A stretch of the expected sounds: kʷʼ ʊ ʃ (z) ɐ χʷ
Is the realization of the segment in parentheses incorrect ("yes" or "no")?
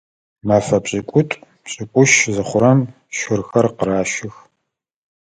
no